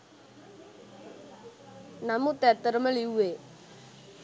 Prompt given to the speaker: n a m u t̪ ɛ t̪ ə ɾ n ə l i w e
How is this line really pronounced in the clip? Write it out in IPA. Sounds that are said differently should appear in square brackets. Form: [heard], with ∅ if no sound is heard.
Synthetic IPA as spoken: n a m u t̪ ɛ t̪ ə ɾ [m] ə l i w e